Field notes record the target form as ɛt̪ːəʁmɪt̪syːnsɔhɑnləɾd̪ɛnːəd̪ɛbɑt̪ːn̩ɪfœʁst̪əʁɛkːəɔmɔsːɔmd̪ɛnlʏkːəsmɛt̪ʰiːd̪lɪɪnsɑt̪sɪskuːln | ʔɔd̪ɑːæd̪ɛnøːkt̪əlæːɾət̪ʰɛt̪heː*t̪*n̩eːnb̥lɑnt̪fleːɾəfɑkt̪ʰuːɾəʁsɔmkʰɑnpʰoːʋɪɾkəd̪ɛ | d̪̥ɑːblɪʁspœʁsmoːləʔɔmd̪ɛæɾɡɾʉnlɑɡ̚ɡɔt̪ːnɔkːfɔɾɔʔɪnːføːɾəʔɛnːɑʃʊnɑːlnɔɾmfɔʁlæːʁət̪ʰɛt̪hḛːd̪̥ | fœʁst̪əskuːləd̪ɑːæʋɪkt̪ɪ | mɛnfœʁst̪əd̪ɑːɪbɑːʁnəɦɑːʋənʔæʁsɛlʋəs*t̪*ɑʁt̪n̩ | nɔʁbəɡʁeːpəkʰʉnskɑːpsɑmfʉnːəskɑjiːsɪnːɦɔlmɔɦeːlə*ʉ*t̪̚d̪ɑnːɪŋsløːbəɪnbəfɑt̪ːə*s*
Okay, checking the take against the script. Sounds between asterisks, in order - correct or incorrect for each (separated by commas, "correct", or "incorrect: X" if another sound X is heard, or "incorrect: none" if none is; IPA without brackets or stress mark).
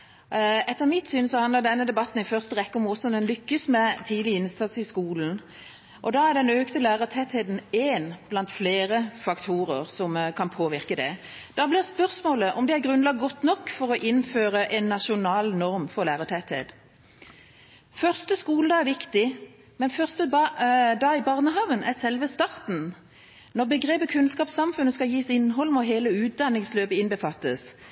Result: incorrect: d̪, correct, incorrect: ʉː, correct